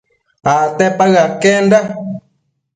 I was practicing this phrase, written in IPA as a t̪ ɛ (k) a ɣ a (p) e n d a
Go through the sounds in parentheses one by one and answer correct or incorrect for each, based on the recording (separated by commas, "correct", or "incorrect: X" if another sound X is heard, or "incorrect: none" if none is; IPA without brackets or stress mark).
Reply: incorrect: p, incorrect: k